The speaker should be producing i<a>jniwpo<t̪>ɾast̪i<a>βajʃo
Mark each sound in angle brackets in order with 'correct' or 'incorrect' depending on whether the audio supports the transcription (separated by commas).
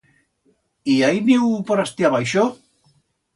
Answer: correct, incorrect, correct